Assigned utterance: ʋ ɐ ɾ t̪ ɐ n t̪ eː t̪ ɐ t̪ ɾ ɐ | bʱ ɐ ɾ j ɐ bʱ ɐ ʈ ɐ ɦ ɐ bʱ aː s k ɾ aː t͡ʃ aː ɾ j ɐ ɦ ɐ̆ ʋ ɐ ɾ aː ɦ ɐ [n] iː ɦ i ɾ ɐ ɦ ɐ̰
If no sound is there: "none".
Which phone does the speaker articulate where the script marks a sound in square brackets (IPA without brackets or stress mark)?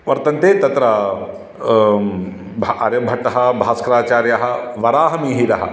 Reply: m